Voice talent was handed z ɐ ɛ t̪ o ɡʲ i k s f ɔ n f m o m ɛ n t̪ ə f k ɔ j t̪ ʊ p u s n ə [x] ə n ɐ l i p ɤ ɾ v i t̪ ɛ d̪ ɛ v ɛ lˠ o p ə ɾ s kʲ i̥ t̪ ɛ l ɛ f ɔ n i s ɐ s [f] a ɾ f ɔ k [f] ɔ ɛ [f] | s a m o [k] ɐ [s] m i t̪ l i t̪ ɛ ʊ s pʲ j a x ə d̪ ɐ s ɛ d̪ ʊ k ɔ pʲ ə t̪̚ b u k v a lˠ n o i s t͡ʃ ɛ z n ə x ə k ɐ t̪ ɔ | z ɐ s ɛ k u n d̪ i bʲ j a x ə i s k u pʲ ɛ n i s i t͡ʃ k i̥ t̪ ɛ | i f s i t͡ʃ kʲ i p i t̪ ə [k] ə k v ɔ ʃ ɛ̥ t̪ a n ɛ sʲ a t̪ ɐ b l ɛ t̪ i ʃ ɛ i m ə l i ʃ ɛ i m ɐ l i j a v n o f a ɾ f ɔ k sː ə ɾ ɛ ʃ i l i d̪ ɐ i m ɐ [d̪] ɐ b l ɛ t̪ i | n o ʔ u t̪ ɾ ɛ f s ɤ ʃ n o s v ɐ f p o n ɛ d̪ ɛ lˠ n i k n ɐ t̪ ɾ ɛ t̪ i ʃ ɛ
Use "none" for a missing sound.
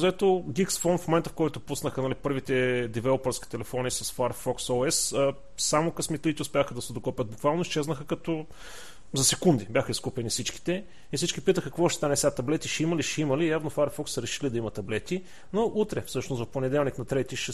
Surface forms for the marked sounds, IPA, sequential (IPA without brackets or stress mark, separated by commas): x, f, s, s, k, s, x, t̪